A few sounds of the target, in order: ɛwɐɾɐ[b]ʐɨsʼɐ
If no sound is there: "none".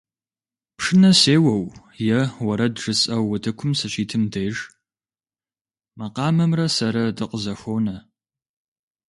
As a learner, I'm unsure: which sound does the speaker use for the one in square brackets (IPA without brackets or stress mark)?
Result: d